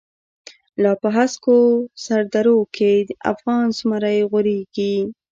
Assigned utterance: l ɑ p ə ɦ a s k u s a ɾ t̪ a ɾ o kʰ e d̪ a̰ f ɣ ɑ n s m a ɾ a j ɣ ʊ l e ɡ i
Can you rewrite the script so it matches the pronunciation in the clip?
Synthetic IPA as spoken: l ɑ p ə ɦ a s k o s a ɾ d̪ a ɾ o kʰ e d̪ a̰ f ɣ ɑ n s m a ɾ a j ɣ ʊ ɾ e ɡ i

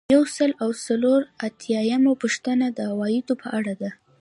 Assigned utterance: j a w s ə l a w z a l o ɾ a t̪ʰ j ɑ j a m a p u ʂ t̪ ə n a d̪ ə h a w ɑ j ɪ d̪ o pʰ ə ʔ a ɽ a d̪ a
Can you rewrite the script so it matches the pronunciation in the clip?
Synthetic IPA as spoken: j a w s ə l a w s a l o ɾ a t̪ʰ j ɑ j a m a p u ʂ t̪ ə n a d̪ ə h a w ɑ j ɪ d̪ o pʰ ə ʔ a ɽ a d̪ a

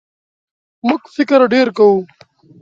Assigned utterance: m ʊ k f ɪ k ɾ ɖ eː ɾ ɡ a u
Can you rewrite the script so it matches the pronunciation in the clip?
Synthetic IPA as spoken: m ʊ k f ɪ k ɾ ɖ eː ɾ k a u

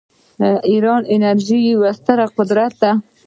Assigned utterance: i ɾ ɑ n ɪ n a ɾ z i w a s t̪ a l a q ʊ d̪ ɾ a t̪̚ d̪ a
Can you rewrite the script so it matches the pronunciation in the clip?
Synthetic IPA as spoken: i ɾ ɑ n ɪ n a ɾ ʒ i w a s t̪ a ɾ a q ʊ d̪ ɾ a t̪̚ d̪ a

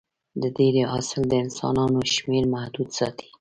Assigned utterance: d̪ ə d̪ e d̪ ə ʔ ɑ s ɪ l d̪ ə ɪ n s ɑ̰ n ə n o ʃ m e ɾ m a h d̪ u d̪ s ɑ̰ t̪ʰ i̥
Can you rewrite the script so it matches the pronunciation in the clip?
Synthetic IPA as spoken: d̪ ə d̪ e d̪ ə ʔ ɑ s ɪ l d̪ ə ɪ n s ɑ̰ n ɑ n o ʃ m e ɾ m a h d̪ u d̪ s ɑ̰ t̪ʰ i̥

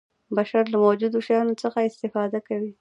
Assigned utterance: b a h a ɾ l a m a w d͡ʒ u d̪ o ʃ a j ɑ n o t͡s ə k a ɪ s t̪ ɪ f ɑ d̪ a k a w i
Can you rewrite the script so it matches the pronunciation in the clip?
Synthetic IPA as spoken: b a ʃ a ɾ l a m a w d͡ʒ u d̪ o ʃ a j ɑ n o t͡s ə x a ɪ s t̪ ɪ f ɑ d̪ a k a w i

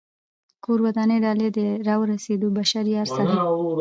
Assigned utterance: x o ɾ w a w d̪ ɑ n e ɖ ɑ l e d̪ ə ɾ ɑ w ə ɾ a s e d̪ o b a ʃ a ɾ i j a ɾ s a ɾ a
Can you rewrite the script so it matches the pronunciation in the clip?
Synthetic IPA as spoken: k o ɾ w a d̪ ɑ n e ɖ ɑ l e d̪ ə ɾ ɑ w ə ɾ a s e d̪ o b a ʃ a ɾ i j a ɾ s a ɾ a

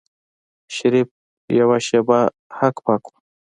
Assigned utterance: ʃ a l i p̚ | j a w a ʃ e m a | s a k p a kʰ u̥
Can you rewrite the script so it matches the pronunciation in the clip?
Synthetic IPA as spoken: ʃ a ɾ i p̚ | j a w a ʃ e b a | h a k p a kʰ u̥

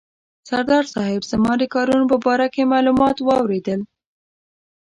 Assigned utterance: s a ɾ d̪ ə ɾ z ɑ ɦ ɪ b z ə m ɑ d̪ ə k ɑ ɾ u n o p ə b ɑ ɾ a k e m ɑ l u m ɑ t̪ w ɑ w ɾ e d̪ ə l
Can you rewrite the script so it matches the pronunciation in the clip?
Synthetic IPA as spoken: s a ɾ d̪ ɑ ɾ s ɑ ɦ ɪ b z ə m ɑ d̪ ə k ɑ ɾ u n o p ə b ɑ ɾ a k e m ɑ l u m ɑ t̪ w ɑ w ɾ e d̪ ə l

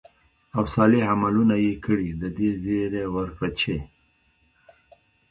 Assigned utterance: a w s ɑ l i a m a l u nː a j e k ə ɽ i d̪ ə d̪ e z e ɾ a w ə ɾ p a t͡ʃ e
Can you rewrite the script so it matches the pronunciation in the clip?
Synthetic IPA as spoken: a w s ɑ l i a m a l u n a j e k ə ɽ i d̪ ə d̪ e z e ɾ e w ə ɾ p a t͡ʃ e

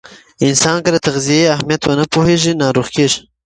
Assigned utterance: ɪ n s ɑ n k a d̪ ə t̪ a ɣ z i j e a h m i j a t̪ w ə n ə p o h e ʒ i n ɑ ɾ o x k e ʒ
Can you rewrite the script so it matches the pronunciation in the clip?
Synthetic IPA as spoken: ɪ n s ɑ n k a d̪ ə t̪ a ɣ z i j e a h m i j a t̪ w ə n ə p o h e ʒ i n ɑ ɾ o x k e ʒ

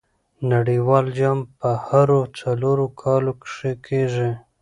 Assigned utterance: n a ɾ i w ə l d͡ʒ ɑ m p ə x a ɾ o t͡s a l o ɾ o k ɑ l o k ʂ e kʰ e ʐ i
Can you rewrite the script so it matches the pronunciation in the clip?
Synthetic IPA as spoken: n a ɽ i w ɑ l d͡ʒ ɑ m p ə h a ɾ o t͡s a l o ɾ o kʰ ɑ l o k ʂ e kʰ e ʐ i

